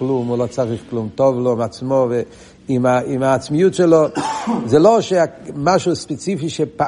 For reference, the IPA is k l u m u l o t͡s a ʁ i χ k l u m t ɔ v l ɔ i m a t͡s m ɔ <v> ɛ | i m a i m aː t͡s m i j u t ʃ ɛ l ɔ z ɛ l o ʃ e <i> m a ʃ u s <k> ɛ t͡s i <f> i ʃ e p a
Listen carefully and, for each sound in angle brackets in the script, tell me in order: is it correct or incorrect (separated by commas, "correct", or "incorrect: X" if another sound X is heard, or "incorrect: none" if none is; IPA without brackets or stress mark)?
correct, incorrect: a, incorrect: p, correct